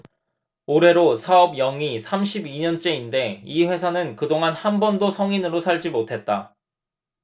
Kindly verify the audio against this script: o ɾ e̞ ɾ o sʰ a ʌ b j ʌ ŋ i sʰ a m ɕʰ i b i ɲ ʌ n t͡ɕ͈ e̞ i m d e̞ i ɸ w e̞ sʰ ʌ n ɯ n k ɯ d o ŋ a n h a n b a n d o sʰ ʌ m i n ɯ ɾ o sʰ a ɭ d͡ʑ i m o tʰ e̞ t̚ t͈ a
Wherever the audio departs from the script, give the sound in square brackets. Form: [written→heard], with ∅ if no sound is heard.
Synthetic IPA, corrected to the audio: o ɾ e̞ ɾ o sʰ a ʌ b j ʌ ŋ i sʰ a m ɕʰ i b i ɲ ʌ n t͡ɕ͈ e̞ i [m→n] d e̞ i ɸ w e̞ sʰ [ʌ→a] n ɯ n k ɯ d o ŋ a n h a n b [a→ʌ] n d o sʰ ʌ [m→ŋ] i n ɯ ɾ o sʰ a ɭ d͡ʑ i m o tʰ e̞ t̚ t͈ a